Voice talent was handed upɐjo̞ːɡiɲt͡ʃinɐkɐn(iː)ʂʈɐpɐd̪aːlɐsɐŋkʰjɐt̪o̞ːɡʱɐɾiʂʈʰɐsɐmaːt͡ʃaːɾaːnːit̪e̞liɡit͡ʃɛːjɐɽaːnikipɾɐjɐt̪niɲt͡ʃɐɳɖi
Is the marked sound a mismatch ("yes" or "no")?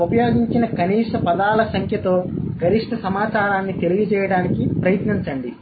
no